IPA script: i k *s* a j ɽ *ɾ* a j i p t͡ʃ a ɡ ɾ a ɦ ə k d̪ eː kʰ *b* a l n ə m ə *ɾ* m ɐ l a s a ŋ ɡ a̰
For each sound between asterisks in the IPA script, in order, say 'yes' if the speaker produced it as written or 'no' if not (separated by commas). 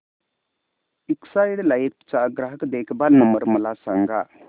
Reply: yes, no, yes, yes